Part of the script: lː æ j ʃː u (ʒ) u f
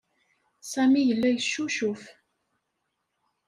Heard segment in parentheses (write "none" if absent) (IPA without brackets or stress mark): ʃ